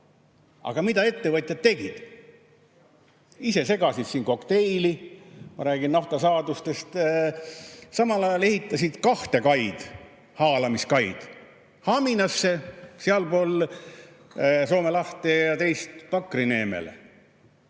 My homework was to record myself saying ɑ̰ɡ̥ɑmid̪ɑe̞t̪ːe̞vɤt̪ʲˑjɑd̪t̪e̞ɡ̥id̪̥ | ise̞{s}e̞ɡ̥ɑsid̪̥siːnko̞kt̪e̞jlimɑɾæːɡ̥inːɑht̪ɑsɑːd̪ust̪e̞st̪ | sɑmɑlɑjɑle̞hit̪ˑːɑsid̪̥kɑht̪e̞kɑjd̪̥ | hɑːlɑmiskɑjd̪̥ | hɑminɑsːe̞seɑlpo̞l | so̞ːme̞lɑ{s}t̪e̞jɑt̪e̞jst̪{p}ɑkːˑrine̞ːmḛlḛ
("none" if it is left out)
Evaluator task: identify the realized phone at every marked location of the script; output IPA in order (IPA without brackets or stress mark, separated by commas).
s, h, p